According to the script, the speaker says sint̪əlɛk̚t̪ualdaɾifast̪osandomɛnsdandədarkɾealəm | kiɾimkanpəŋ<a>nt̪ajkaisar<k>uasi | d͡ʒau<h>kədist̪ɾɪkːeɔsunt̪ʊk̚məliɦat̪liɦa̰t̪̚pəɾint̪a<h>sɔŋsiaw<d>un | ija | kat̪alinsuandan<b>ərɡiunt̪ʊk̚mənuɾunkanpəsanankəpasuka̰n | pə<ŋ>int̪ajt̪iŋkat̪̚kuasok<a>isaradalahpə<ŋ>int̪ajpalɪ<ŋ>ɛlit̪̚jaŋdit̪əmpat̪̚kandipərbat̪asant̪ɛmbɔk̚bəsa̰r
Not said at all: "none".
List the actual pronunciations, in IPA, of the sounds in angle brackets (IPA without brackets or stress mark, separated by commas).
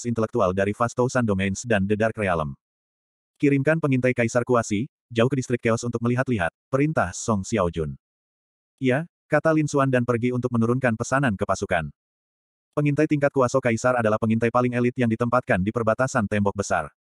i, k, h, h, d͡ʒ, p, ŋ, a, ŋ, ŋ